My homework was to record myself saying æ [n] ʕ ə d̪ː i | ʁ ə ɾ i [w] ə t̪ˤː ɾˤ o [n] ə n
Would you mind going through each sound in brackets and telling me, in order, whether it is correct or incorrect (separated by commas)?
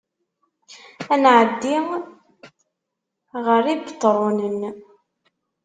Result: correct, incorrect, correct